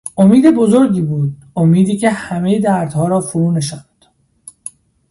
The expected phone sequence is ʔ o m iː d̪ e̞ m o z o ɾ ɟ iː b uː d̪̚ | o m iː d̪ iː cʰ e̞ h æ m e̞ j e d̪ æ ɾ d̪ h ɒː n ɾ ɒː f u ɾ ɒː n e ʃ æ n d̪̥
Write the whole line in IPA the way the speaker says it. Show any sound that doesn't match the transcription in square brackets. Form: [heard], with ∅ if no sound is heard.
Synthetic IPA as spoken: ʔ o m iː d̪ e̞ [b] o z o ɾ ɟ iː b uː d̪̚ | o m iː d̪ iː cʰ e̞ h æ m e̞ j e d̪ æ ɾ d̪ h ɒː [∅] ɾ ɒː f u ɾ [uː] n e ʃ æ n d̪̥